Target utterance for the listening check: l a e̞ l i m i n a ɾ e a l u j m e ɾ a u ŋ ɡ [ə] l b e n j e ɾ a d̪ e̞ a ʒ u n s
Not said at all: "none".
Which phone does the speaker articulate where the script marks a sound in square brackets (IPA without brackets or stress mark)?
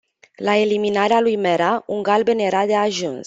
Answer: a